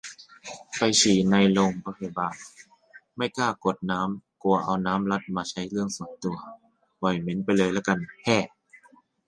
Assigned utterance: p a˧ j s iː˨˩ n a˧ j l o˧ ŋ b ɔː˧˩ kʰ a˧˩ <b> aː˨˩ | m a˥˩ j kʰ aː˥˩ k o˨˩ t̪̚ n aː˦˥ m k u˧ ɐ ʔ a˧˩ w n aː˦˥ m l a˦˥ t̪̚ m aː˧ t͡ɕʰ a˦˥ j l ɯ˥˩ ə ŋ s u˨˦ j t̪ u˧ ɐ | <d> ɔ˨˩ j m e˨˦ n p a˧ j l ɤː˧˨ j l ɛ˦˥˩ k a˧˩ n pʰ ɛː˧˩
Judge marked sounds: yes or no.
yes, no

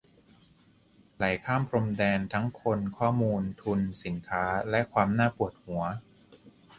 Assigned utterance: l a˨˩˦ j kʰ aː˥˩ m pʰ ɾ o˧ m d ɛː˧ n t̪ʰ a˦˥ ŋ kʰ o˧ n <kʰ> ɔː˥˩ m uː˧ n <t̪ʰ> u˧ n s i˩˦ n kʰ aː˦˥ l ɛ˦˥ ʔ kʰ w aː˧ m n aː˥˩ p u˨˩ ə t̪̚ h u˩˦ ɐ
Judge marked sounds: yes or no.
yes, yes

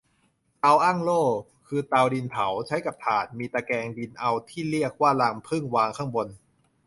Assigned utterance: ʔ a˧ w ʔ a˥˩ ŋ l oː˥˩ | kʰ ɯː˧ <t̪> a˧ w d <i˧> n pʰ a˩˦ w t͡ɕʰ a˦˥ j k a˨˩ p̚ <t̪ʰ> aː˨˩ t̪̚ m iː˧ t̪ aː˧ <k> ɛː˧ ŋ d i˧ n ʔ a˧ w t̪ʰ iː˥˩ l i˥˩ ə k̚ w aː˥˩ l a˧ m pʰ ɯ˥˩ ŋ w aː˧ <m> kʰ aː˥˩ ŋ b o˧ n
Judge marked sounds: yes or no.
yes, yes, yes, yes, no

